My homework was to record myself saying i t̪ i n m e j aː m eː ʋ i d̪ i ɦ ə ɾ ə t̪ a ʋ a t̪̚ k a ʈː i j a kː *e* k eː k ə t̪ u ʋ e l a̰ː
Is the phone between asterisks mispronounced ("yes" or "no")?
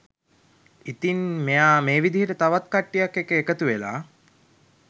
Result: no